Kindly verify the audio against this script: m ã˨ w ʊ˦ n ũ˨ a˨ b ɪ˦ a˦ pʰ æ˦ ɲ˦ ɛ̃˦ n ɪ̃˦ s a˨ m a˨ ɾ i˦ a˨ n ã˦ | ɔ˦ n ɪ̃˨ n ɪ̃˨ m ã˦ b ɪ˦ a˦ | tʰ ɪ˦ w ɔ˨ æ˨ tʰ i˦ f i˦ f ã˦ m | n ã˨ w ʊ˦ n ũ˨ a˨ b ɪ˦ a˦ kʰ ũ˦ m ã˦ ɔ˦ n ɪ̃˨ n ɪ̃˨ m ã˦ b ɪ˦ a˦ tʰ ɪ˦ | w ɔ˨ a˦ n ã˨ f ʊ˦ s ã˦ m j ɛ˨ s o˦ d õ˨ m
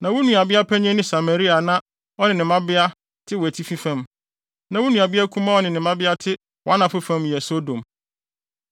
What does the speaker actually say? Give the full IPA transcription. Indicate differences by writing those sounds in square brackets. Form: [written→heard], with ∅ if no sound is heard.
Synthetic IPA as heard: [m→n] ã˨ w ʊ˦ n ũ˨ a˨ b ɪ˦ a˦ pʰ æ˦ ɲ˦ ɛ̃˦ n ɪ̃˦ s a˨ m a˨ ɾ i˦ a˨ n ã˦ | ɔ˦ n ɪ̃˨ n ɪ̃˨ m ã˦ b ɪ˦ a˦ | tʰ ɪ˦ w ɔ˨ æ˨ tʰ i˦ f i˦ f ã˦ m | n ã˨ w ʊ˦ n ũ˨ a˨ b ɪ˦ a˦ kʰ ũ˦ m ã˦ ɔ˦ n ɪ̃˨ n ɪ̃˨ m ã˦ b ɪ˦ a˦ tʰ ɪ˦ | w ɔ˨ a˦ n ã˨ f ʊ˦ [s→f] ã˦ m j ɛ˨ s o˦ d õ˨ m

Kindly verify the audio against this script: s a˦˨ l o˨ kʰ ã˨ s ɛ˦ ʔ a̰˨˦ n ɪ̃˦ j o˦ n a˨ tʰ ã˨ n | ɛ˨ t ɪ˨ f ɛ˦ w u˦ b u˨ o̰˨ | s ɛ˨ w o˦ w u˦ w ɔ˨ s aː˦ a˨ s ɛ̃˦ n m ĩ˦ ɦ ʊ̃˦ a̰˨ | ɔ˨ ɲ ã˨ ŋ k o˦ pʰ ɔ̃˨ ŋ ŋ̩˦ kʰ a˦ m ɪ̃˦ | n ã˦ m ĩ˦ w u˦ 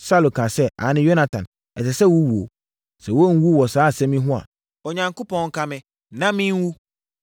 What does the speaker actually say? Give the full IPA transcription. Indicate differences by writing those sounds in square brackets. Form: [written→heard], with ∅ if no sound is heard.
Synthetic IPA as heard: s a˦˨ l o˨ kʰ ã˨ s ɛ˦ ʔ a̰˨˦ n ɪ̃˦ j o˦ n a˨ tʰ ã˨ n | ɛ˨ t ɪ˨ [f→s] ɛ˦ w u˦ [b→w] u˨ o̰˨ | s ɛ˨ w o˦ w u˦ w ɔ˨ s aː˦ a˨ s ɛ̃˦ [n→∅] m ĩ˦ ɦ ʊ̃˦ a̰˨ | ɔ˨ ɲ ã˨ ŋ k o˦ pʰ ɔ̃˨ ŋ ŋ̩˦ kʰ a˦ m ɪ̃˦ | n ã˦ m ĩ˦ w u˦

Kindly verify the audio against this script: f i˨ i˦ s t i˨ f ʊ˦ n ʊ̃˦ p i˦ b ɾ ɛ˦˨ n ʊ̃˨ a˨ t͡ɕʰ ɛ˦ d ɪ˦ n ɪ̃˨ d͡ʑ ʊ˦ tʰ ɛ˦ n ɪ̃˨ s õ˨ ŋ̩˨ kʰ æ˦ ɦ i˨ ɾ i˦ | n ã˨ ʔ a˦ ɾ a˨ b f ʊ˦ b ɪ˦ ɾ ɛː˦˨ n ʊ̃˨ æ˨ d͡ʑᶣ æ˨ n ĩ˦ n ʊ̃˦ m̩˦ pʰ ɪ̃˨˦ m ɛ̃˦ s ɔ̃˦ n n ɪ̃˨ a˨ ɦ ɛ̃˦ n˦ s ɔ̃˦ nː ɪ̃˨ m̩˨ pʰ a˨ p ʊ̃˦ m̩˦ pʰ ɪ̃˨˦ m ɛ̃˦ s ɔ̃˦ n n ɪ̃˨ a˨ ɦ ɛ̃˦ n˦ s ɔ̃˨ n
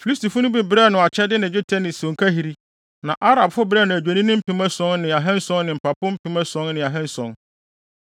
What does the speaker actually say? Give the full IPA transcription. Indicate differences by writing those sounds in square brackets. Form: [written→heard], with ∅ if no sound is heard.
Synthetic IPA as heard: f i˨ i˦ s t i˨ f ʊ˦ n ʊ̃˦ [p→b] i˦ b ɾ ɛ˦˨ n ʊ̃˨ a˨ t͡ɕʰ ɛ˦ d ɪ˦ n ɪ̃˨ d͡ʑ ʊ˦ tʰ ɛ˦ n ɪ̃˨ s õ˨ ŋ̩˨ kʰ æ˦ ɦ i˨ ɾ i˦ | n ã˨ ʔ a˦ ɾ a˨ b f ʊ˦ b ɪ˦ ɾ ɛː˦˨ n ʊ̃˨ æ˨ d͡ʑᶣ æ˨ n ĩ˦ n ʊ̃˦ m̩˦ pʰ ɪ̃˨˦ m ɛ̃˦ s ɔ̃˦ n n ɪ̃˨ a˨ ɦ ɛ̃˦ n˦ s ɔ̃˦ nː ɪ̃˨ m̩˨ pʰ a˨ p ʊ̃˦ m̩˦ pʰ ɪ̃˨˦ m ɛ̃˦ s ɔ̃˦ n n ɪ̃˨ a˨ ɦ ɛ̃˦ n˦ s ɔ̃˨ n

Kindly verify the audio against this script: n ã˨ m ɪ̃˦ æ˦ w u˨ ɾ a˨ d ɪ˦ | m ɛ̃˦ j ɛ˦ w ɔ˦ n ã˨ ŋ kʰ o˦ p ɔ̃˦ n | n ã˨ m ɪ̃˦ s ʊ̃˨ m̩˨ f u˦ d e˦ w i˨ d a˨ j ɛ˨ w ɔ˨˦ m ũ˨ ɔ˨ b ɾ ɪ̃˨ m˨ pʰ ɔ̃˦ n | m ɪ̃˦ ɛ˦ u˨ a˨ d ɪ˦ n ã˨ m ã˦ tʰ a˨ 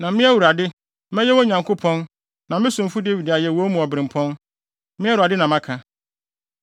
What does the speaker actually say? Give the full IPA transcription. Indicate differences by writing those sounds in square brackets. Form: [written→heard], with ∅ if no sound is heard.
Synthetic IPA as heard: n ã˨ m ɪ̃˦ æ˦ w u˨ ɾ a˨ d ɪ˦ | m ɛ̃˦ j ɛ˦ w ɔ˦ [n→ɲ] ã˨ ŋ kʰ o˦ [p→pʰ] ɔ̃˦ n | n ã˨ m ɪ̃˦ s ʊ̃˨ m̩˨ f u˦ d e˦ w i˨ d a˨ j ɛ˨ w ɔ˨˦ m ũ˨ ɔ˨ b ɾ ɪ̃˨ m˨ pʰ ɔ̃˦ n | m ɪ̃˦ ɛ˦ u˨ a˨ d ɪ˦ n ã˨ m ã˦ [tʰ→kʰ] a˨

